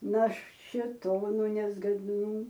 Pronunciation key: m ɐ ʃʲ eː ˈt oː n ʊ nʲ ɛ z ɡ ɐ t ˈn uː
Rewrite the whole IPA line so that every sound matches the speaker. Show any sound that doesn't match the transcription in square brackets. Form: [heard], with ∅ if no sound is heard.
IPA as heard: [n] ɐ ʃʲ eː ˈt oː n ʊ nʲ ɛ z ɡ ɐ [d] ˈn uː